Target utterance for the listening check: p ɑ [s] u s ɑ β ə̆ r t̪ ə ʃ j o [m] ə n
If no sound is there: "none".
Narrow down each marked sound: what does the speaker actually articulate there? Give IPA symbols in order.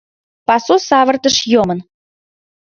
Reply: s, m

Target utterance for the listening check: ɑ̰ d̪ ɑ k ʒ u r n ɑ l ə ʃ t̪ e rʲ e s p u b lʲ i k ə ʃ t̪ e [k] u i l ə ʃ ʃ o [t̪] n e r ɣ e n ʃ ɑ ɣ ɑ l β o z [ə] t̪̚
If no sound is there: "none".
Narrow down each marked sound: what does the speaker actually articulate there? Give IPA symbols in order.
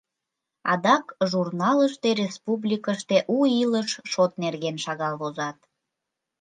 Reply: ʔ, t̪, ɑ

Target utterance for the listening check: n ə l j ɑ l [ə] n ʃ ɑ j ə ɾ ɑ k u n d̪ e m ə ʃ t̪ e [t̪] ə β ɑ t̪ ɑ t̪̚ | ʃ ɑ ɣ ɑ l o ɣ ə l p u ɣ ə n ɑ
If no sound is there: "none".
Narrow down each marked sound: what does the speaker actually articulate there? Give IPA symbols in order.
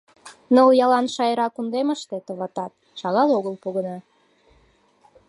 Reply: ɑ, t̪

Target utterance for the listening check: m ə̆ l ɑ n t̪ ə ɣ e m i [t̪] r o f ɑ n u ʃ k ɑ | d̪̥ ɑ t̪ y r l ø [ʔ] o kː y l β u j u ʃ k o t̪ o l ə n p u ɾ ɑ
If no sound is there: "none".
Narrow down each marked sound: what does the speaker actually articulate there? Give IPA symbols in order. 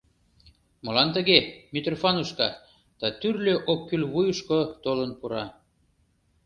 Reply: t̪, ʔ

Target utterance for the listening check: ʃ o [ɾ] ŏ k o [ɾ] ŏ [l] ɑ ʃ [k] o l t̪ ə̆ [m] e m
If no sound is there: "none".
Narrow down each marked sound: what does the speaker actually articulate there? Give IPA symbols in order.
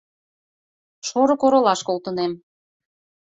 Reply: ɾ, ɾ, l, k, n

